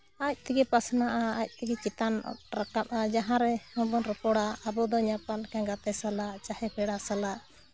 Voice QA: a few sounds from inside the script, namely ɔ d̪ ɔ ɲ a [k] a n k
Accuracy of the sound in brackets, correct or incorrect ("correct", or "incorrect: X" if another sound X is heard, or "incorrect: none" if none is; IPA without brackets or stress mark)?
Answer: incorrect: p